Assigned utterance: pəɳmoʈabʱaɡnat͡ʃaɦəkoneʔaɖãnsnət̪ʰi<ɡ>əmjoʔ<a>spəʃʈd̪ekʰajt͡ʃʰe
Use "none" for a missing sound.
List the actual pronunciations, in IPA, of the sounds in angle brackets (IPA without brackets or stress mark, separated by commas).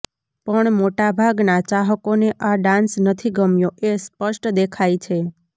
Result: ɡ, e